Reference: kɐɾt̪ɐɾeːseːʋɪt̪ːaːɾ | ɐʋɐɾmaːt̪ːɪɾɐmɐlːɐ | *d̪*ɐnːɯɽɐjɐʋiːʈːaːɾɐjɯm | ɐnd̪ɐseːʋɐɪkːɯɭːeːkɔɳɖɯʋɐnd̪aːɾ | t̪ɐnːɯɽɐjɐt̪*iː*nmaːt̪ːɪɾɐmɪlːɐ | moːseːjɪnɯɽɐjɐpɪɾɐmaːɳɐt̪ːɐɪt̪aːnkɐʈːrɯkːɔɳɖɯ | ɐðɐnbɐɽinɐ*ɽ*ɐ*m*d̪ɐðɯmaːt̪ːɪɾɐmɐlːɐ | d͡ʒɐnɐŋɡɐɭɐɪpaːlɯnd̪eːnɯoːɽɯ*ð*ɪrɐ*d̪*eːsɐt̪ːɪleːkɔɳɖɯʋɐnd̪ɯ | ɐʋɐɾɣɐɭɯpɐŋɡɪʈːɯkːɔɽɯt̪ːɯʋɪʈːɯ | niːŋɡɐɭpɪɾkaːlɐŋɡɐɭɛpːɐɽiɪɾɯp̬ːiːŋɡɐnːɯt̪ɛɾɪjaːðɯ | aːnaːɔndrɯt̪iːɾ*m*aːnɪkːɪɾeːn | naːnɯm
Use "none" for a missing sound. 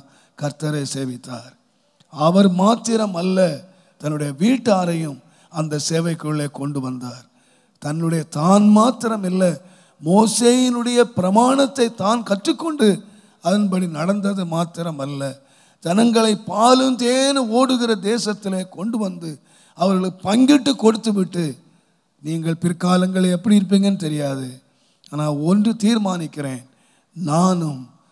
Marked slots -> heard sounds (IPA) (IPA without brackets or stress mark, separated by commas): t̪, aː, ɽ, n, ɣ, d̪, m